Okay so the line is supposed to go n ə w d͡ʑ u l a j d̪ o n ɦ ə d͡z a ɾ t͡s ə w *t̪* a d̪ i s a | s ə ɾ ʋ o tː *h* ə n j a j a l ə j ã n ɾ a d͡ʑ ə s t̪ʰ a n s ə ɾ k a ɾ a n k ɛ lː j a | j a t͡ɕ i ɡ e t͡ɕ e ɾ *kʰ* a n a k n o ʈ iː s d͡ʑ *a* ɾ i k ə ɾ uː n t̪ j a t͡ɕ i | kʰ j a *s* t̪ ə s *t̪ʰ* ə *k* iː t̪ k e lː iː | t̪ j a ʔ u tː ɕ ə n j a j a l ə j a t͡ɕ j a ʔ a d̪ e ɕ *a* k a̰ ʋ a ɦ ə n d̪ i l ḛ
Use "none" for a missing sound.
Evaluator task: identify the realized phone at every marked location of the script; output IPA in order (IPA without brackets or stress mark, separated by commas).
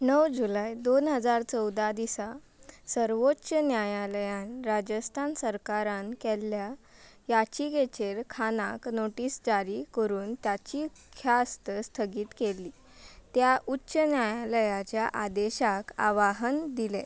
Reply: d̪, ɕ, kʰ, a, s, t̪ʰ, ɡ, a